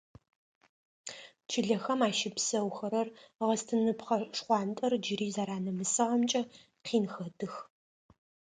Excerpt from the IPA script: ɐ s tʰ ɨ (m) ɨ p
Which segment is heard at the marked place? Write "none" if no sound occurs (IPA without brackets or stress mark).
n